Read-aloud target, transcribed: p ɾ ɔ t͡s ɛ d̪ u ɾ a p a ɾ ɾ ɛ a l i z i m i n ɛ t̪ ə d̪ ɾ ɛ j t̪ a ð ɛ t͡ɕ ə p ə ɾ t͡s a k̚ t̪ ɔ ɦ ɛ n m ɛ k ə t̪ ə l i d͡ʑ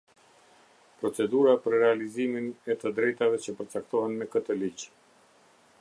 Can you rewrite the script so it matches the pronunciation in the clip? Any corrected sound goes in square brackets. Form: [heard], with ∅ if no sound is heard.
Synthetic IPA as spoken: p ɾ ɔ t͡s ɛ d̪ u ɾ a p [ə] ɾ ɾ ɛ a l i z i m i n ɛ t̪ ə d̪ ɾ ɛ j t̪ a [v] ɛ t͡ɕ ə p ə ɾ t͡s a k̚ t̪ ɔ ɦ ɛ n m ɛ k ə t̪ ə l i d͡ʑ

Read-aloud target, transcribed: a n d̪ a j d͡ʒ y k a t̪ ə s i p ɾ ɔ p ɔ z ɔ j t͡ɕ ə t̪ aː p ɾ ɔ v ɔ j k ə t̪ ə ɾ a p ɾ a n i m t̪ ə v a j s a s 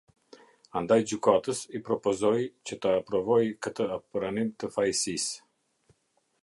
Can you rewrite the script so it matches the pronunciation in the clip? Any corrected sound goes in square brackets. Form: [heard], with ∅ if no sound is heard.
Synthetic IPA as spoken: a n d̪ a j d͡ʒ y k a t̪ ə s i p ɾ ɔ p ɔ z ɔ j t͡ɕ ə t̪ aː p ɾ ɔ v ɔ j k ə t̪ ə [∅] a p ɾ a n i m t̪ ə [f] a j s [i] s

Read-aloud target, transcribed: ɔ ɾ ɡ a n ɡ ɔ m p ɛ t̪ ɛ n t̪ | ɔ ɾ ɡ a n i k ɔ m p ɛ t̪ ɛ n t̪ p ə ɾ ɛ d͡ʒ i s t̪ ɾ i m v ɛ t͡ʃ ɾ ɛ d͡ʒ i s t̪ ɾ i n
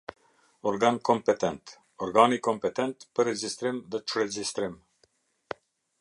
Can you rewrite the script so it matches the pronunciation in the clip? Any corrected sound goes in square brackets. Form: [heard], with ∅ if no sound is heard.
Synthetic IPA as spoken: ɔ ɾ ɡ a n [k] ɔ m p ɛ t̪ ɛ n t̪ | ɔ ɾ ɡ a n i k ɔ m p ɛ t̪ ɛ n t̪ p ə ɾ ɛ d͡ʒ i s t̪ ɾ i m [ð] ɛ t͡ʃ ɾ ɛ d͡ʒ i s t̪ ɾ i [m]

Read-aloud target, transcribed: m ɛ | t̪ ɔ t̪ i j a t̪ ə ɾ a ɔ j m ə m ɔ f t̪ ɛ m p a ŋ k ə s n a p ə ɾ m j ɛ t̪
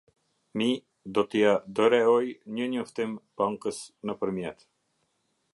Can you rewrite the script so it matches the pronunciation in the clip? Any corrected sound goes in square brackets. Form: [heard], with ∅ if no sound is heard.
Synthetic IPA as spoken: m [i] | [d̪] ɔ t̪ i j a [d̪] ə ɾ [ɛ] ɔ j [ɲ] ə [ɲ] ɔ f t̪ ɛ m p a ŋ k ə s n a p ə ɾ m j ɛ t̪

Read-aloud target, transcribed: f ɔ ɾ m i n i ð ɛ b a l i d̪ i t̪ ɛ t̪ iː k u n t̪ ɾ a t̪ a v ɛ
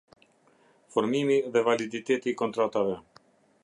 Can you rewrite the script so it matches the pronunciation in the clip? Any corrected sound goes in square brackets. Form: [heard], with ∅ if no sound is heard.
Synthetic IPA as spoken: f ɔ ɾ m i [m] i ð ɛ [v] a l i d̪ i t̪ ɛ t̪ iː k [ɔ] n t̪ ɾ a t̪ a v ɛ

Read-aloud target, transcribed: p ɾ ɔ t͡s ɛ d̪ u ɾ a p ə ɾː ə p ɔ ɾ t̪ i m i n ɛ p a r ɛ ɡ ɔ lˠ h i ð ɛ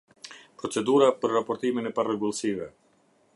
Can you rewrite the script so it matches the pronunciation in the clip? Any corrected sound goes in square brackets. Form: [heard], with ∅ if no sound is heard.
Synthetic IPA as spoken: p ɾ ɔ t͡s ɛ d̪ u ɾ a p ə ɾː [a] p ɔ ɾ t̪ i m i n ɛ p a r ɛ ɡ [u] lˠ [s] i [v] ɛ

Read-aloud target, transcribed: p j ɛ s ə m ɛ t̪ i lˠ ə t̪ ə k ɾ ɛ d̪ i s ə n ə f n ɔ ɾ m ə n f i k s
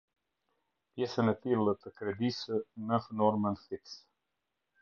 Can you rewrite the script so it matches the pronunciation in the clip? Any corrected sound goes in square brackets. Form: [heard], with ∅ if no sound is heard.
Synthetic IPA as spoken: p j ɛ s ə [n] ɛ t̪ i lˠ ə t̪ ə k ɾ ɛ d̪ i s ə n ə f n ɔ ɾ m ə n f i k s

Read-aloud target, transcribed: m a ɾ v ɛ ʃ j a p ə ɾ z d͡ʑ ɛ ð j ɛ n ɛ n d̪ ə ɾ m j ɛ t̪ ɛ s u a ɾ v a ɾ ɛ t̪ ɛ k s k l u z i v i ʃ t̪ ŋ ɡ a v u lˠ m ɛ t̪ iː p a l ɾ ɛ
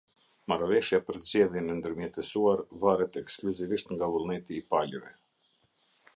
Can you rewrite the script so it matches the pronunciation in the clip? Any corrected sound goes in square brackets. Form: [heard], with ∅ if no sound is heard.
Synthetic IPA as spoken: m a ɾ v ɛ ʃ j a p ə ɾ z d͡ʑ ɛ ð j ɛ n ɛ n d̪ ə ɾ m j ɛ t̪ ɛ s u a ɾ v a ɾ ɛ t̪ ɛ k s k l u z i v i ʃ t̪ ŋ ɡ a v u lˠ [n] ɛ t̪ iː p a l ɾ ɛ

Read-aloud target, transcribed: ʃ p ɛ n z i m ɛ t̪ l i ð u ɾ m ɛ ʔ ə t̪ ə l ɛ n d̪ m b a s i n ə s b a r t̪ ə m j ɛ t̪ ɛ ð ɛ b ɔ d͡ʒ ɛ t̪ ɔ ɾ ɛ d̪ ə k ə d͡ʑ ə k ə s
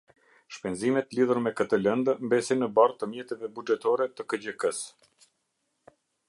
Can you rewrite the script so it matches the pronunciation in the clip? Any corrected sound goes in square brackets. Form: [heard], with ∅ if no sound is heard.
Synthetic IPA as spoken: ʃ p ɛ n z i m ɛ t̪ l i ð u ɾ m ɛ [k] ə t̪ ə l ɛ n d̪ m b [ɛ] s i n ə [∅] b a r t̪ ə m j ɛ t̪ ɛ [v] ɛ b [u] d͡ʒ ɛ t̪ ɔ ɾ ɛ [t̪] ə k ə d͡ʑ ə k ə s

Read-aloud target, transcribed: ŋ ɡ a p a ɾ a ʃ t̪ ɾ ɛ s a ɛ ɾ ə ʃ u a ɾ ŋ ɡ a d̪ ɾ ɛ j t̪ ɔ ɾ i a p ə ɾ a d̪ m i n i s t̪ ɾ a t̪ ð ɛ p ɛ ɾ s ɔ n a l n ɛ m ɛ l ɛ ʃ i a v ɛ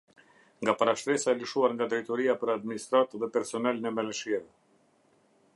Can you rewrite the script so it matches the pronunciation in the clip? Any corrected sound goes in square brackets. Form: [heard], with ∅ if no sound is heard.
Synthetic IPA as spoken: ŋ ɡ a p a ɾ a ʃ t̪ ɾ ɛ s a ɛ [l] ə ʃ u a ɾ ŋ ɡ a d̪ ɾ ɛ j t̪ ɔ ɾ i a p ə ɾ a d̪ m i n i s t̪ ɾ a t̪ ð ɛ p ɛ ɾ s ɔ n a l n ɛ m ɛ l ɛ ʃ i [ɛ] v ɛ

